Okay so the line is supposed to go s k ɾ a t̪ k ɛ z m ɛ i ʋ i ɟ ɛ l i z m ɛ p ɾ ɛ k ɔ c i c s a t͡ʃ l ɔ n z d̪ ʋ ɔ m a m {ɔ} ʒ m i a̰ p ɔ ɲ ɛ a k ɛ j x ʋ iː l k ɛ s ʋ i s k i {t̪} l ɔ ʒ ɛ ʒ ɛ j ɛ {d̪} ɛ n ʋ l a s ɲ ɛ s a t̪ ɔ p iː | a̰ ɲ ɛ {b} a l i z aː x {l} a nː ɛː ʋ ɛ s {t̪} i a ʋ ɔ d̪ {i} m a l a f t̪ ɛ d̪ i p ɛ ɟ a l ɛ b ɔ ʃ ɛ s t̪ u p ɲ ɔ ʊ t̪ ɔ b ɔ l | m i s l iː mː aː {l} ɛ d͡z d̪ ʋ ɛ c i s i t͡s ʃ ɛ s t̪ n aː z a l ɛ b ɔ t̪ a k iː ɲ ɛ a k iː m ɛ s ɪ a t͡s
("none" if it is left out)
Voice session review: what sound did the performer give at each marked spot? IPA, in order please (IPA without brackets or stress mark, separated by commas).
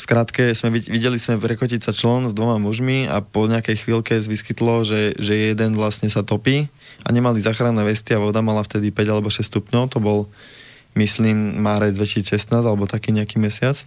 u, t̪, d̪, m, ɾ, t̪, a, ɾ